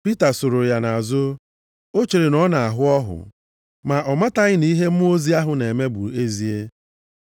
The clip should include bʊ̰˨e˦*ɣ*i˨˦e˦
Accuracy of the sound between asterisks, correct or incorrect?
incorrect